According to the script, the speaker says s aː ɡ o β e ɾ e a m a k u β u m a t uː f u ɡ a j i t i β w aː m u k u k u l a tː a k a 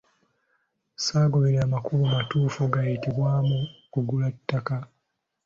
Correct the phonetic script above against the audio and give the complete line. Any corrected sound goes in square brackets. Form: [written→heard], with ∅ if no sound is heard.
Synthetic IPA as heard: s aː ɡ o β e ɾ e a m a k u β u m a t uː f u ɡ a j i t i β w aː m u k u [k→ɡ] u l a tː a k a